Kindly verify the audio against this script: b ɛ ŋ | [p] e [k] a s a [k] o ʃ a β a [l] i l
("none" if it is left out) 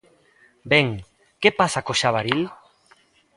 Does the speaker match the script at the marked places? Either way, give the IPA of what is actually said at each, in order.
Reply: k, p, k, ɾ

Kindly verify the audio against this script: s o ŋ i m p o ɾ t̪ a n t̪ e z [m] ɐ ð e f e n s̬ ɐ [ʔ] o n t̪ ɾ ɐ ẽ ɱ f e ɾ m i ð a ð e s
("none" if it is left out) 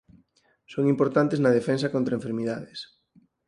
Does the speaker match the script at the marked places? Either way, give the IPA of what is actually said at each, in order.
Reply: n, k

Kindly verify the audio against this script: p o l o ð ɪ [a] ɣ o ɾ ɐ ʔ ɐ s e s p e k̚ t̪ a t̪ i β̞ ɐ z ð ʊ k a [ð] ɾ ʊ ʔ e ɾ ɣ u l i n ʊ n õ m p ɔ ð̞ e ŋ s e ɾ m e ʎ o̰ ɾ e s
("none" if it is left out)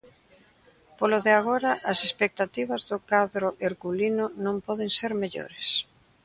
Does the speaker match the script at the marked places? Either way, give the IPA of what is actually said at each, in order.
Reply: a, ð

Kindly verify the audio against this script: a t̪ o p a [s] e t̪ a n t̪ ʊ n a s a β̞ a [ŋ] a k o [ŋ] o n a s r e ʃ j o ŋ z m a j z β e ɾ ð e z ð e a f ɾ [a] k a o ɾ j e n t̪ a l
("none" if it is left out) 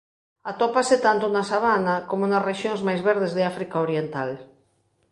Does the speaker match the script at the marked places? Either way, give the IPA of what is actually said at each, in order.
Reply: s, n, m, i

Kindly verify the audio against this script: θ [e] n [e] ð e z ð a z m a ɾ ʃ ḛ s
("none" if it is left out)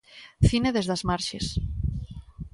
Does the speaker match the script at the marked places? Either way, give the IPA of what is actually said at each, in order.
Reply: i, e

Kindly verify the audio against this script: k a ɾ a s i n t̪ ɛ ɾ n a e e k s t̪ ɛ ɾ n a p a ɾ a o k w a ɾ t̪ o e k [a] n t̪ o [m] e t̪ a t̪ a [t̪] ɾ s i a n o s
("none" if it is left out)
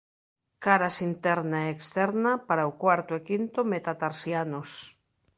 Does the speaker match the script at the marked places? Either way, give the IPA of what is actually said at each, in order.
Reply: i, m, none

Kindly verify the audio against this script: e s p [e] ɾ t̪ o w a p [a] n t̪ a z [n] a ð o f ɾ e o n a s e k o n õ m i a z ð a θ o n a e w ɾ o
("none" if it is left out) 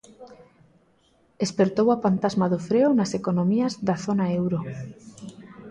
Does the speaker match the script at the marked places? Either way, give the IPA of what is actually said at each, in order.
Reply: e, a, m

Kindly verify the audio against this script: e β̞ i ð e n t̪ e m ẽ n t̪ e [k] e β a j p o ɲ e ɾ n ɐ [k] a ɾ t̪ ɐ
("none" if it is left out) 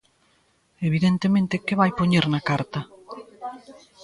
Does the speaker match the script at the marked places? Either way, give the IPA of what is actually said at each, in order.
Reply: k, k

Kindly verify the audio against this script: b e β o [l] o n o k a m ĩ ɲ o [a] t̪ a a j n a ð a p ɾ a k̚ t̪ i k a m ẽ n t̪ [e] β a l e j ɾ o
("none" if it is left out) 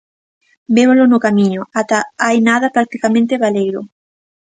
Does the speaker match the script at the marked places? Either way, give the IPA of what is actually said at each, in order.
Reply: l, a, e

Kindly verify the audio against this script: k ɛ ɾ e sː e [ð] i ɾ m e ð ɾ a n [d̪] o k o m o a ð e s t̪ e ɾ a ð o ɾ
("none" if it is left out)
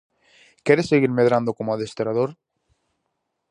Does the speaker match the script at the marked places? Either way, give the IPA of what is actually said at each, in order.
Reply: ɣ, d̪

